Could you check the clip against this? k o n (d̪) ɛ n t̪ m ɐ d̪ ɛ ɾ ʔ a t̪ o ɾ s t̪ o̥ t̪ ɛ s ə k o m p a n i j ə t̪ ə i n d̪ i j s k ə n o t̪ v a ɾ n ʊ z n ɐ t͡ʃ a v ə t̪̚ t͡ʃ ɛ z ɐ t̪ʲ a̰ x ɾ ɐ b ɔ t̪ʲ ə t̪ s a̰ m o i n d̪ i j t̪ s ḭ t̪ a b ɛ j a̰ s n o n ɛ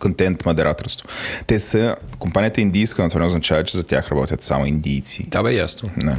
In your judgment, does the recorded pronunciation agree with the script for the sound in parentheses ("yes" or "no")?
no